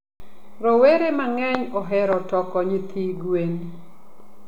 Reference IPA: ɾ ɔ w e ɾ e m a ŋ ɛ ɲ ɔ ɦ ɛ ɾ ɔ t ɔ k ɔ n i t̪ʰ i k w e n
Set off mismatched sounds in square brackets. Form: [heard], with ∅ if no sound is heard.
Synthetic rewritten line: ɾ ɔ w e ɾ e m a ŋ ɛ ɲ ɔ ɦ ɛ ɾ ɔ t ɔ k ɔ [ɲ] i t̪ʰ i [ɡ] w e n

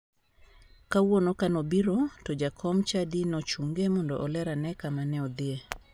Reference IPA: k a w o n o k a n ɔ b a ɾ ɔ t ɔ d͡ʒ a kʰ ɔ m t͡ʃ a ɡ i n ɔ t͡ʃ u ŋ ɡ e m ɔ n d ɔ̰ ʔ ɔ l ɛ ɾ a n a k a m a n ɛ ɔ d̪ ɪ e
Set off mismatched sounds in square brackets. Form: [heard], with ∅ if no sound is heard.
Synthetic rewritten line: k a w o n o k a n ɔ b [i] ɾ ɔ t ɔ d͡ʒ a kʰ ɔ m t͡ʃ a [d] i n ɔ t͡ʃ u ŋ ɡ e m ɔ n d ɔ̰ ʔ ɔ l ɛ ɾ a n [ɛ] k a m a n ɛ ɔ d̪ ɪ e

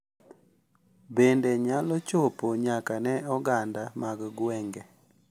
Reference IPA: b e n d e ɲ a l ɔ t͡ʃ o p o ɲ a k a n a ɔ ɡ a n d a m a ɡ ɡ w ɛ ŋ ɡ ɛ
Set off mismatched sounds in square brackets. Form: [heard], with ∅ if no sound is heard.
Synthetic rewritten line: b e n d e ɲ a l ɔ t͡ʃ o p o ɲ a k a n [ɛ] ɔ ɡ a n d a m a ɡ ɡ w ɛ ŋ ɡ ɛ

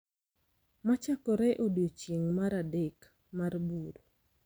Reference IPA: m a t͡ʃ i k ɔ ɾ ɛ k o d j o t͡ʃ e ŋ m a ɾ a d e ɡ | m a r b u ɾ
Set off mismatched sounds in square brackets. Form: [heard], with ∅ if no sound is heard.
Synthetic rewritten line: m a t͡ʃ [a] k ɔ ɾ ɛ [ʔ] o d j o t͡ʃ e ŋ m a ɾ a d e [k] | m a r b u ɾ

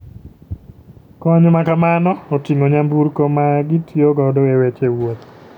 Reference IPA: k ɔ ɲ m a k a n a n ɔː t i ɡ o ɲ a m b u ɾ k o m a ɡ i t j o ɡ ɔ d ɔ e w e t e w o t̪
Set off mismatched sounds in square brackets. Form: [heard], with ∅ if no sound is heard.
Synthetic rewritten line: k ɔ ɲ m a k a [m] a n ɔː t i [ŋ] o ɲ a m b u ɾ k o m a ɡ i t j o ɡ ɔ d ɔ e w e [t͡ʃ] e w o t̪

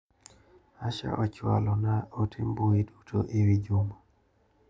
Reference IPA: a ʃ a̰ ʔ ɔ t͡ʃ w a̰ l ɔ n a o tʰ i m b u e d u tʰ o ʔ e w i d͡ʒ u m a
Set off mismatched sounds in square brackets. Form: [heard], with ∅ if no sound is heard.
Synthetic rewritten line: a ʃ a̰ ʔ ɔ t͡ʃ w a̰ l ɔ n a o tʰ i m b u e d u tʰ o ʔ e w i d͡ʒ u m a

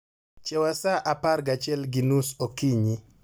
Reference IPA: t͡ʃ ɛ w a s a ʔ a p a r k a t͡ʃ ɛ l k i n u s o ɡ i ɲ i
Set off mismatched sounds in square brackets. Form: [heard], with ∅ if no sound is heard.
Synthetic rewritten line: t͡ʃ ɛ w a s a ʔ a p a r [ɡ] a t͡ʃ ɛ l [ɡ] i n u s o [k] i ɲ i

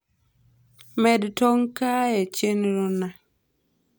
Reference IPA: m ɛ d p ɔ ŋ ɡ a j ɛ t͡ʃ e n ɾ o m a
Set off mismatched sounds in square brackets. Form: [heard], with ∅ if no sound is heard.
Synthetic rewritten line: m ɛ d [t] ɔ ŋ [k] a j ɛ t͡ʃ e n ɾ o [n] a

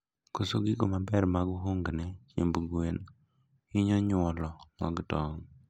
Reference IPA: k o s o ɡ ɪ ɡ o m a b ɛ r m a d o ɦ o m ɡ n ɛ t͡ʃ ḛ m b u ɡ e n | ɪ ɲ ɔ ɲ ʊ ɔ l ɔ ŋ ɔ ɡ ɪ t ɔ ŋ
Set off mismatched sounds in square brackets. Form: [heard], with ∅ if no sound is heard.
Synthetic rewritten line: k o s o ɡ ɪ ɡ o m a b ɛ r m a [ɡ] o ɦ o [ŋ] ɡ n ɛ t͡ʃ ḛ m b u ɡ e n | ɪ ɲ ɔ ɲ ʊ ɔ l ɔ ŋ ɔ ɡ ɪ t ɔ ŋ

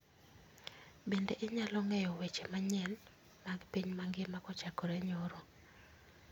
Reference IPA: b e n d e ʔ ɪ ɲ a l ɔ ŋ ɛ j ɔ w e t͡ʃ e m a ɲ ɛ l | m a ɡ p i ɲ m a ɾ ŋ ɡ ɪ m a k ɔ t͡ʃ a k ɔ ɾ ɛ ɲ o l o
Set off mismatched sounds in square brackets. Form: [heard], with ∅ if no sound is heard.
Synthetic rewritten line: b e n d e ʔ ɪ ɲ a l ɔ ŋ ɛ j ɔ w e t͡ʃ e m a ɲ ɛ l | m a ɡ p i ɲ m a [∅] ŋ ɡ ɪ m a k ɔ t͡ʃ a k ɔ ɾ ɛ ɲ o [ɾ] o

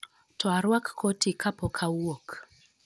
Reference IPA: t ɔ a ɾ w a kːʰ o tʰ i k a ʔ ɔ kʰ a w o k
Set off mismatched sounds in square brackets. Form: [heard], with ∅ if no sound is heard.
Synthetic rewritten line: t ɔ a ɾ w a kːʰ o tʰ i k a [p] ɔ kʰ a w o k

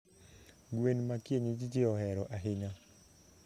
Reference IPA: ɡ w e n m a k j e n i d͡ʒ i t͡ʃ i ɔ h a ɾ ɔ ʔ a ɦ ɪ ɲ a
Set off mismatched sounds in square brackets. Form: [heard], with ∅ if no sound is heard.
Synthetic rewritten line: ɡ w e n m a k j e [ɲ] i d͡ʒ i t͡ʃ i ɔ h [ɛ] ɾ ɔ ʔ a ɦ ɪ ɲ a

